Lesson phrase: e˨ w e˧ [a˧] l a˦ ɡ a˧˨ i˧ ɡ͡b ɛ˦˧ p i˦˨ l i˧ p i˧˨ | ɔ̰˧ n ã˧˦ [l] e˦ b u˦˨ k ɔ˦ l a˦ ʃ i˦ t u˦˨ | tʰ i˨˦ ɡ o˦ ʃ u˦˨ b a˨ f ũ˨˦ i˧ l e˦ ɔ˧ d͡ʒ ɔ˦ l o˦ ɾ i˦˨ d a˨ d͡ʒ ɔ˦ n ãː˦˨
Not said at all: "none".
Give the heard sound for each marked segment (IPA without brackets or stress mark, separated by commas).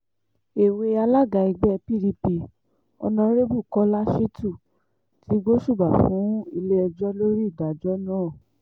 a˧, ɾ